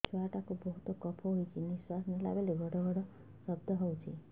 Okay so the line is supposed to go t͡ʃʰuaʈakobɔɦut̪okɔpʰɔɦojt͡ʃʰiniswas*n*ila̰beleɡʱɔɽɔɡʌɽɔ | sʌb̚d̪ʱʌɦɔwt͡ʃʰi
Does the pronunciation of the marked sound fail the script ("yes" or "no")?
no